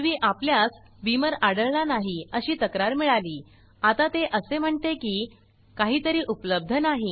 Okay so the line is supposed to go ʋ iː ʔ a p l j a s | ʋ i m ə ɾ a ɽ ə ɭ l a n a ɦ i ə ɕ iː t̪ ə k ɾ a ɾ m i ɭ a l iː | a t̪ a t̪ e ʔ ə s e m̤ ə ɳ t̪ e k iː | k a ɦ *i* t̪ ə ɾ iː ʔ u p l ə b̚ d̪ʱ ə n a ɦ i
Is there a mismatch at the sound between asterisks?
yes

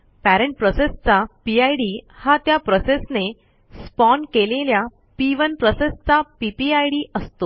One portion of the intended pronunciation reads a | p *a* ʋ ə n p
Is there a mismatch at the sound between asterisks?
yes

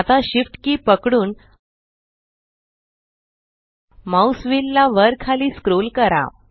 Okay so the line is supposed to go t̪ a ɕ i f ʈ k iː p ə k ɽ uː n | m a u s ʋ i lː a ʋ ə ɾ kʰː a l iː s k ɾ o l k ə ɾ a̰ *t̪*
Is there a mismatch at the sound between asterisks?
yes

